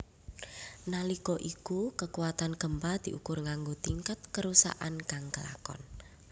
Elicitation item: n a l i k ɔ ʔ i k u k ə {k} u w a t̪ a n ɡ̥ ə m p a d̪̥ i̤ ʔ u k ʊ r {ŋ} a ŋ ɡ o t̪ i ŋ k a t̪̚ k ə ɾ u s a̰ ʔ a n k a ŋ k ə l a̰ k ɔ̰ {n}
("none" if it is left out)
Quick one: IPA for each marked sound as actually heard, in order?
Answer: k, ŋ, n

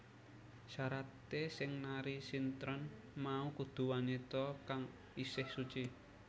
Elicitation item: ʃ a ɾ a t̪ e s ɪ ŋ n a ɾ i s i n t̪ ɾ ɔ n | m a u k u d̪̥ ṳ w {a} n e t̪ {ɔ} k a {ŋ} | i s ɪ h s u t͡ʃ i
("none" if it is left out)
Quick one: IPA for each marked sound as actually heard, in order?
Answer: a, ɔ, ŋ

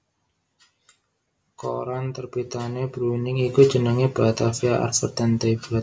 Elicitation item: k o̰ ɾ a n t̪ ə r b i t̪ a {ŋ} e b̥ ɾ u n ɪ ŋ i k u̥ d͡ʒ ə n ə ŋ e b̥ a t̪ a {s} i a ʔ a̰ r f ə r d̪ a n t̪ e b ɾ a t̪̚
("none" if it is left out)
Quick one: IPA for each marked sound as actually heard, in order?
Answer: n, f

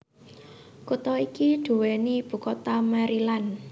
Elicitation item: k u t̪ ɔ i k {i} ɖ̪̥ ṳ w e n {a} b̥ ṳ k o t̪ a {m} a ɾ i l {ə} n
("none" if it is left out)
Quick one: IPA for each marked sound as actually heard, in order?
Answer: i, i, m, a

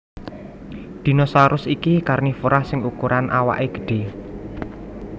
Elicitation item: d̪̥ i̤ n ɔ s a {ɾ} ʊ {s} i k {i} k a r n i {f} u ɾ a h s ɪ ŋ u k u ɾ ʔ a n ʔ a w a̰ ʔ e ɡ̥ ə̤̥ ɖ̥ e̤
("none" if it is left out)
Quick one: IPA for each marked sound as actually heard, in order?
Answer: ɾ, s, i, f

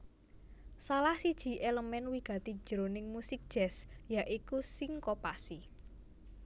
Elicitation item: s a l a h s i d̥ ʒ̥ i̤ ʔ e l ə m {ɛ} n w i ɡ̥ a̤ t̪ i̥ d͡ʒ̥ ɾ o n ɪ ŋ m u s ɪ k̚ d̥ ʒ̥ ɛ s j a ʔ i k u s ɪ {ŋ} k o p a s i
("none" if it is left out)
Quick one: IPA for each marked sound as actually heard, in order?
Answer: ɛ, ŋ

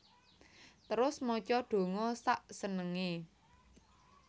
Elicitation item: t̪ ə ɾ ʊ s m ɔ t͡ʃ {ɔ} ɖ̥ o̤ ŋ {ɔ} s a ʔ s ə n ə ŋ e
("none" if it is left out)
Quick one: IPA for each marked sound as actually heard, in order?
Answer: ɔ, ɔ

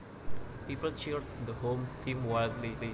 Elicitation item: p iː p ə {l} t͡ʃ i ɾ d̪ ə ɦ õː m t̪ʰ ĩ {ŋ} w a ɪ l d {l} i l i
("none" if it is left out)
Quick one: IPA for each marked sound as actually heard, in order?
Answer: l, m, l

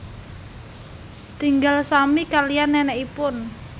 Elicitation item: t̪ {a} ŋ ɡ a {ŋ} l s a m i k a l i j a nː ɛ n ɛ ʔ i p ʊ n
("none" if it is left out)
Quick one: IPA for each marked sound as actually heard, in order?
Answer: i, none

